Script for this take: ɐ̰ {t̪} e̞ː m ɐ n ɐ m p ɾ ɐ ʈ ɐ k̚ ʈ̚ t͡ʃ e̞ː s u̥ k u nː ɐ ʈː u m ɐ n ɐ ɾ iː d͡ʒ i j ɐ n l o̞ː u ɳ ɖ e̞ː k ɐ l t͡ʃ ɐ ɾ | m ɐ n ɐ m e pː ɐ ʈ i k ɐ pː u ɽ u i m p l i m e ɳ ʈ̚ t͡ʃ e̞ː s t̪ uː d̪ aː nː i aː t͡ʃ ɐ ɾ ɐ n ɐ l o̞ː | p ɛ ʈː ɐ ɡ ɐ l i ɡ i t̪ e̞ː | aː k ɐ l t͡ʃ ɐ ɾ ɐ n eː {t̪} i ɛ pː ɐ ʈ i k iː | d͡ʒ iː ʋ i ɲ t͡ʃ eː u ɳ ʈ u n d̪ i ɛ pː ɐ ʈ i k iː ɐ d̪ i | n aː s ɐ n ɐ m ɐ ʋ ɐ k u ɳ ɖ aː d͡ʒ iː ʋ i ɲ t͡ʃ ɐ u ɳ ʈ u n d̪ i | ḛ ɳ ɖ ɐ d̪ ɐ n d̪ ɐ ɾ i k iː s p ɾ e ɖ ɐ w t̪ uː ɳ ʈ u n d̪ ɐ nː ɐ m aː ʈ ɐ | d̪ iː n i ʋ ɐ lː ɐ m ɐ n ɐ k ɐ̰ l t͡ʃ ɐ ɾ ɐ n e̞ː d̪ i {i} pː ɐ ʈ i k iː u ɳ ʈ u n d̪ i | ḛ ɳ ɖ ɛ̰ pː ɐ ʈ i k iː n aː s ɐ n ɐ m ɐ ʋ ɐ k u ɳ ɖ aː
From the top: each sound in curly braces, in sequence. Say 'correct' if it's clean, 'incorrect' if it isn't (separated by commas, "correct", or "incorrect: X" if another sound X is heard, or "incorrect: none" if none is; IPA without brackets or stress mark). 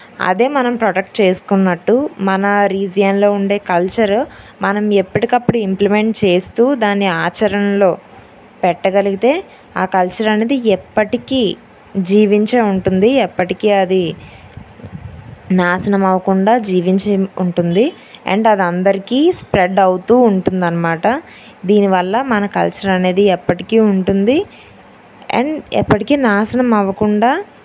incorrect: d̪, incorrect: d̪, incorrect: ɛ